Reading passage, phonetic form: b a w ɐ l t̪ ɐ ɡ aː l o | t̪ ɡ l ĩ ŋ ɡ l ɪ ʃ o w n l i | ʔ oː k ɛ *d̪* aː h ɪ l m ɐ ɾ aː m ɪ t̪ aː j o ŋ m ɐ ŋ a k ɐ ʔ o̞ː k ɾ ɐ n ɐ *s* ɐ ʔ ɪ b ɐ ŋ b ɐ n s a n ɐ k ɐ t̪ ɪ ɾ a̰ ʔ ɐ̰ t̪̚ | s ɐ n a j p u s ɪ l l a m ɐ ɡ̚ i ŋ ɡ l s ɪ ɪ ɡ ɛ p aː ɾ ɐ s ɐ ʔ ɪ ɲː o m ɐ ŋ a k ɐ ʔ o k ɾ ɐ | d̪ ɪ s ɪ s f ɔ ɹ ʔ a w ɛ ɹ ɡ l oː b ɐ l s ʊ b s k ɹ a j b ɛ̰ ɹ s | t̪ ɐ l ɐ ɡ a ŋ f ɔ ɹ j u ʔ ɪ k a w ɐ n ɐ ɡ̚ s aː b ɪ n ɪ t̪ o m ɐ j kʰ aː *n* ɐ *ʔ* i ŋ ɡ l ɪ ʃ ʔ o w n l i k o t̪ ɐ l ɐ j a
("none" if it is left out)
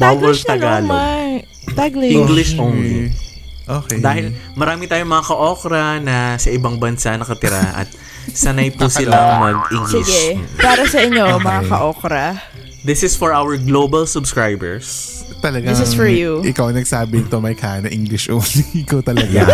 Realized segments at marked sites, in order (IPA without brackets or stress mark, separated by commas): d̪, s, n, ʔ